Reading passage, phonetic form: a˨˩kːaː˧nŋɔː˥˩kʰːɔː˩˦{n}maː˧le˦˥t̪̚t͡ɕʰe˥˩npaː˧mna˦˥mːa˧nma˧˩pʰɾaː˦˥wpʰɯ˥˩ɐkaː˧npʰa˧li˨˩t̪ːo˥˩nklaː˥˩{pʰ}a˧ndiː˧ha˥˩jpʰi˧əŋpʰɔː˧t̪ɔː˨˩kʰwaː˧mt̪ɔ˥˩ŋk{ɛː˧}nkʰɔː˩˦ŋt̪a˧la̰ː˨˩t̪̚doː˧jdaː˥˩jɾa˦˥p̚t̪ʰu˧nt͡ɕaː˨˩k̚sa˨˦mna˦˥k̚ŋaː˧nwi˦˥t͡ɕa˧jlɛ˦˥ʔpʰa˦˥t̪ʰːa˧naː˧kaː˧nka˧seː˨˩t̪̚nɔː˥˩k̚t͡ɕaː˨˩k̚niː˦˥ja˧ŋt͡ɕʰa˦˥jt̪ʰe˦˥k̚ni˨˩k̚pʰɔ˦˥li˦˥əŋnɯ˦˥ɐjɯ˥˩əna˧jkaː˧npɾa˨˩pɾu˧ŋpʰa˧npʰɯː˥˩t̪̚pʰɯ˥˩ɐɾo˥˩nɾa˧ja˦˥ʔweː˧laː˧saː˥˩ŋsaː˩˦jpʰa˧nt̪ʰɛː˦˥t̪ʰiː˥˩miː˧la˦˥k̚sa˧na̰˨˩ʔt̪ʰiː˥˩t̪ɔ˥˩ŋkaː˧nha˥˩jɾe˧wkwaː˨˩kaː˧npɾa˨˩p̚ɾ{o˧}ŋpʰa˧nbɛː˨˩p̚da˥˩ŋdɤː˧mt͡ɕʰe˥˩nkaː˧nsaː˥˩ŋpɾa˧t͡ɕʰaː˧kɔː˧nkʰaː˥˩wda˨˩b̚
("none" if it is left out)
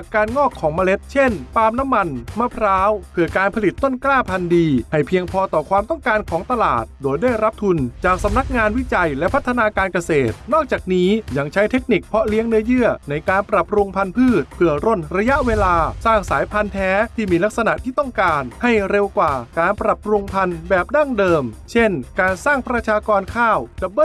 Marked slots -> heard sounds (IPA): ŋ, pʰ, aː˧, u˧

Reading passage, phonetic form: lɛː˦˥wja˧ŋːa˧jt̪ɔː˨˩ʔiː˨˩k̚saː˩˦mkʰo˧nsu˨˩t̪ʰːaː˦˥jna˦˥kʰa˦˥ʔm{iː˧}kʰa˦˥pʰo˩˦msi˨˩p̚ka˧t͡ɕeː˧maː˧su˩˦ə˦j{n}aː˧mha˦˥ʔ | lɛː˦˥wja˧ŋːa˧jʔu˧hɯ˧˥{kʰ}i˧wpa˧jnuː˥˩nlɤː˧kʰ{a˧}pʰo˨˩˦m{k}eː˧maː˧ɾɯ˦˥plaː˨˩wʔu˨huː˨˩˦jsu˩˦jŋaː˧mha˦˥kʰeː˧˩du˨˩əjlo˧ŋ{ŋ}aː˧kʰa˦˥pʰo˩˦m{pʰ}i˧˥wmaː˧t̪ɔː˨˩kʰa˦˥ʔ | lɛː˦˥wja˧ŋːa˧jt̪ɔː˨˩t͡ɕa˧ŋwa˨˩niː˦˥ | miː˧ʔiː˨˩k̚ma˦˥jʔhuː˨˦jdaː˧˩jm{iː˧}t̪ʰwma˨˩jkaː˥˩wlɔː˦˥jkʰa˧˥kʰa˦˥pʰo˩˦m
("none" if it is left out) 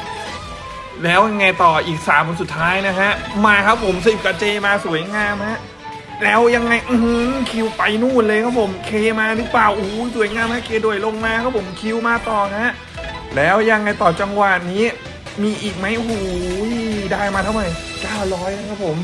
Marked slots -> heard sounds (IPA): aː˧, ŋ, kʰ, a˦˥, kʰ, m, kʰ, aː˧

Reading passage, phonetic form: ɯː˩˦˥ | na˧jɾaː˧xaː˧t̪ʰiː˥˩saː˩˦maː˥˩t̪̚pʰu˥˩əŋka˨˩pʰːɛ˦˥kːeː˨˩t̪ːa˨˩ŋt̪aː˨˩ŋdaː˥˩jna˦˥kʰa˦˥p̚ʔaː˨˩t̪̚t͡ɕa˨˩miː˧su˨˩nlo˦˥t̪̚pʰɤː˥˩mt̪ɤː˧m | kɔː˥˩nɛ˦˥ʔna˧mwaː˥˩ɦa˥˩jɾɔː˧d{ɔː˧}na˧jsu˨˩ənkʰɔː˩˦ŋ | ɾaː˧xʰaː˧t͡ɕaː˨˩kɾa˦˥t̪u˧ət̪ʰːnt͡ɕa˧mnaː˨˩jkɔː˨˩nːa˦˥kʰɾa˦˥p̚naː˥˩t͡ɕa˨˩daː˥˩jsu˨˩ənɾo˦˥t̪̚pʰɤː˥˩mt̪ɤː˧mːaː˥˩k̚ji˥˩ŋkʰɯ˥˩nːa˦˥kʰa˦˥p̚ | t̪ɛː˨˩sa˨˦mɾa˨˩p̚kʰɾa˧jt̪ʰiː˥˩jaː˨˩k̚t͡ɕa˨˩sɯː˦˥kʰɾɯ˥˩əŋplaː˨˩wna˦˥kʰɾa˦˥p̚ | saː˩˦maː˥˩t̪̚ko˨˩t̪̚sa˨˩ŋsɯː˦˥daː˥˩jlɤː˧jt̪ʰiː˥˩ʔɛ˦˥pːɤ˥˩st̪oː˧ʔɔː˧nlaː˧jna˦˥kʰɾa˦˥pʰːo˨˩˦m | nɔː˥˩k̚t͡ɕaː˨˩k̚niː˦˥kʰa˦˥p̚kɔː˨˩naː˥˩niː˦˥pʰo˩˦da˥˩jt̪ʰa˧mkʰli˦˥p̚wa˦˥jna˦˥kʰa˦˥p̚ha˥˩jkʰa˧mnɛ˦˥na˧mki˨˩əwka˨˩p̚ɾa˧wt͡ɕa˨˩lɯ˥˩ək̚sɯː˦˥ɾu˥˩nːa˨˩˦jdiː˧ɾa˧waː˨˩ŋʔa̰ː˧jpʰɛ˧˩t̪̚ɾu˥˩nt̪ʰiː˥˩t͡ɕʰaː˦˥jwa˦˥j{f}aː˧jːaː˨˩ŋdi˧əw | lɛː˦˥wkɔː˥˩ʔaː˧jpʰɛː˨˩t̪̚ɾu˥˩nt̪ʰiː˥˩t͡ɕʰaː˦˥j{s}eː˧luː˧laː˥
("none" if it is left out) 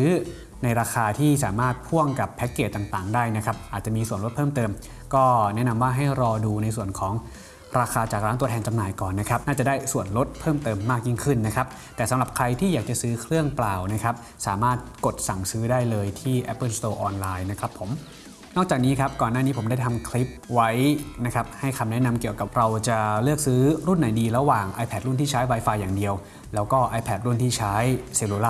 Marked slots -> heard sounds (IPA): uː˧, f, s

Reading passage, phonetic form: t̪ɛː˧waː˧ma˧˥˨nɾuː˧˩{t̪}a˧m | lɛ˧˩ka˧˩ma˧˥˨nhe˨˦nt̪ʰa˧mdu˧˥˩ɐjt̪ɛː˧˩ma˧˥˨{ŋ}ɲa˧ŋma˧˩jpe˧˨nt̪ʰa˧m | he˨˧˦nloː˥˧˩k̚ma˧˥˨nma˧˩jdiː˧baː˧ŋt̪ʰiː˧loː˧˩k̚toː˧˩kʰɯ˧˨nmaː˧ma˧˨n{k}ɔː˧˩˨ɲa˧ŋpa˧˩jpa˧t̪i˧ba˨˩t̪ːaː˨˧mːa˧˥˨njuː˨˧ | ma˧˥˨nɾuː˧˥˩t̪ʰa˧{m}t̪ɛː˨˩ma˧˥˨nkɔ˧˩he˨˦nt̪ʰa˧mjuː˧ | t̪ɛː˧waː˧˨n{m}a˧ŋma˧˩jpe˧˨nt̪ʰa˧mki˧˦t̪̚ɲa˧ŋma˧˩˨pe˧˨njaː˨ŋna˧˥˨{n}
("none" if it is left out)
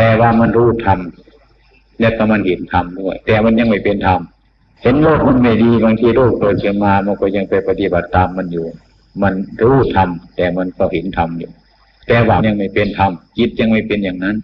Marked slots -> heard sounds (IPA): t̪ʰ, n, k, m, ɲ, n

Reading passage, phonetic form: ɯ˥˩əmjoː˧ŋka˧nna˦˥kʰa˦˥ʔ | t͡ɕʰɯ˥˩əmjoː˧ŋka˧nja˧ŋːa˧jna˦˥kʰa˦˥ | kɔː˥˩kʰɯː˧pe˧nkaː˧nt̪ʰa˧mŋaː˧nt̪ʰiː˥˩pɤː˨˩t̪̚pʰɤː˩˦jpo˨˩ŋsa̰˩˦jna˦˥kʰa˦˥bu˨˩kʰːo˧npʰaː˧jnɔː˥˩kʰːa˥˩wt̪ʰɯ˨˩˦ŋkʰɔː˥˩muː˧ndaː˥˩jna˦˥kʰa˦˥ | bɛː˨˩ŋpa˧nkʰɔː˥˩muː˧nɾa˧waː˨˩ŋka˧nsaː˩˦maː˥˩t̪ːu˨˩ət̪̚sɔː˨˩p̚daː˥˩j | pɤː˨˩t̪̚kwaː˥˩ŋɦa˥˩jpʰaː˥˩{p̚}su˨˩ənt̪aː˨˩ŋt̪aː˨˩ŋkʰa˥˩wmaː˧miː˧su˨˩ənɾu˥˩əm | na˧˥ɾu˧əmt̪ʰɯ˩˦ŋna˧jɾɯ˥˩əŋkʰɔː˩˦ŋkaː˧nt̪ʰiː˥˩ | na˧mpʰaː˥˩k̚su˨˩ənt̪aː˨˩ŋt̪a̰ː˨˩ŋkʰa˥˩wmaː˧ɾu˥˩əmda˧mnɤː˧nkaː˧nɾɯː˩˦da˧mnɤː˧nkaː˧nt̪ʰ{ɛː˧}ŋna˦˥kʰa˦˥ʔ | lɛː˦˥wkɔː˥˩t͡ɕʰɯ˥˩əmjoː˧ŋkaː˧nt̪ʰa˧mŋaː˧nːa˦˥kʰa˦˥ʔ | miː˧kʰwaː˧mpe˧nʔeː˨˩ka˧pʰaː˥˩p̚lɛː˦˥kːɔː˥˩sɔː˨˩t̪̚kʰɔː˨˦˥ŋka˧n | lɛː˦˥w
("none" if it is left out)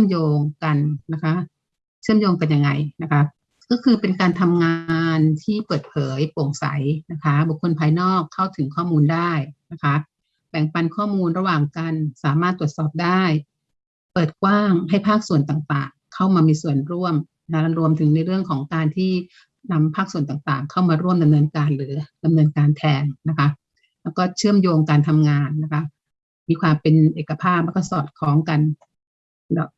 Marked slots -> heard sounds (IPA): k̚, ɛː˧

